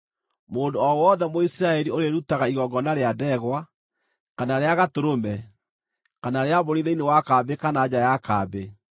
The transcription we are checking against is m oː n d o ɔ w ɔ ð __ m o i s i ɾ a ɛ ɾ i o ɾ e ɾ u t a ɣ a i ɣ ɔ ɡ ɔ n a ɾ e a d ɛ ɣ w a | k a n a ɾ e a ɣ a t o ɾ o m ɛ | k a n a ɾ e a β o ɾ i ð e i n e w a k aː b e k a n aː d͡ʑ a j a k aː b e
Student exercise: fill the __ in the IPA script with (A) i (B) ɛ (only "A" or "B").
B